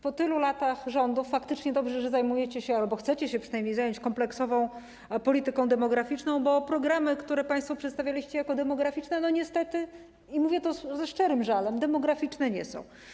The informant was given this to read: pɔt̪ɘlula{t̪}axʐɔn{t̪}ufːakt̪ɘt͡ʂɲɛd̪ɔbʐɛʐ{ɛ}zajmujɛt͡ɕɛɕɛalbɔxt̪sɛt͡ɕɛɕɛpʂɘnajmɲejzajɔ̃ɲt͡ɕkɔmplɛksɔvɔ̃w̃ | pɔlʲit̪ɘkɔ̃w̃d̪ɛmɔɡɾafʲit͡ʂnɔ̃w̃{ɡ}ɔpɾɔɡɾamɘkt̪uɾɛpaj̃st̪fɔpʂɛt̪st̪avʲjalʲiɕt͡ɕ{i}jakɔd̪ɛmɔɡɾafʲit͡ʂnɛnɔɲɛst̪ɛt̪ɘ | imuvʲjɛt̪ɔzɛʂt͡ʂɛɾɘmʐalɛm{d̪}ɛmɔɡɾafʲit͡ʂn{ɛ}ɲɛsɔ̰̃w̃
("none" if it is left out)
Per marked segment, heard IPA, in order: t̪, d̪, ɛ, b, ɛ, d̪, ɛ

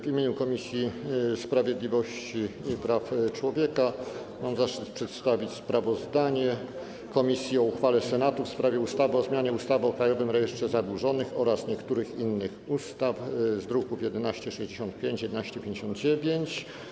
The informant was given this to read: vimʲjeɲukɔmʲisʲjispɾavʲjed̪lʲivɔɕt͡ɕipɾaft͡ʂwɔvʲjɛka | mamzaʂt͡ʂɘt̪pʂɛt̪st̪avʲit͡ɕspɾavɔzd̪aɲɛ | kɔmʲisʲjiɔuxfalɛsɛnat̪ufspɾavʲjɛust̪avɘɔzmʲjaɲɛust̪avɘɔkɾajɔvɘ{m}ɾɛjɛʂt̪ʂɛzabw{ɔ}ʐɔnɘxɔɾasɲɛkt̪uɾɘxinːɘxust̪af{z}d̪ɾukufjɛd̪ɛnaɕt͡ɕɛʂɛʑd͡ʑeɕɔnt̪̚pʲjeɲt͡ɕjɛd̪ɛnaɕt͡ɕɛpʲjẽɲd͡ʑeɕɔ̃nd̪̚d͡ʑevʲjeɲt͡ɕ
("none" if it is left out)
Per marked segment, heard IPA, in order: m, u, z

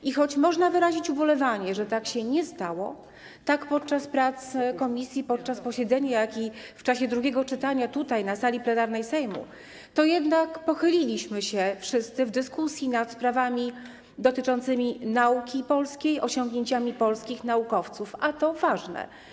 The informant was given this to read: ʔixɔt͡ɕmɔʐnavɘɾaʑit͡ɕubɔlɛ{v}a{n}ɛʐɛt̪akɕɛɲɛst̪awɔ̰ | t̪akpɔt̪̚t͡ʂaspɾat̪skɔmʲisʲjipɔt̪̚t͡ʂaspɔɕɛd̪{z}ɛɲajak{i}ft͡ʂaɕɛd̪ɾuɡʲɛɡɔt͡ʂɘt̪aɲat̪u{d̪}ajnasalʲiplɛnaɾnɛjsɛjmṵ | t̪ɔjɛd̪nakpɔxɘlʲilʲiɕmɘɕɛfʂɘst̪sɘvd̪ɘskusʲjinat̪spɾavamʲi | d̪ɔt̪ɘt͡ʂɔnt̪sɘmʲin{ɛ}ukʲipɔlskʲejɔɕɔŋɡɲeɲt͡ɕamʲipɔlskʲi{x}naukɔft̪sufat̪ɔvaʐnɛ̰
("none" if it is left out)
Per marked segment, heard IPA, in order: v, ɲ, z, i, t̪, a, x

